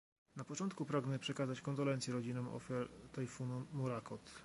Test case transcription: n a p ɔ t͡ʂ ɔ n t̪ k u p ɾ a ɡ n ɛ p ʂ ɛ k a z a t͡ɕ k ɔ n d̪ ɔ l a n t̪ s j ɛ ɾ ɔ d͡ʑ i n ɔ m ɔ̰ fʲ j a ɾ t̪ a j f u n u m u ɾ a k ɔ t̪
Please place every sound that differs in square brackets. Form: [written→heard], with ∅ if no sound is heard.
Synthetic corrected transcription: n a p ɔ t͡ʂ ɔ n t̪ k u p ɾ a ɡ n ɛ p ʂ ɛ k a z a t͡ɕ k ɔ n d̪ ɔ l [a→ɛ] n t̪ s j ɛ ɾ ɔ d͡ʑ i n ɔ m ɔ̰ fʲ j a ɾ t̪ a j f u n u m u ɾ a k ɔ t̪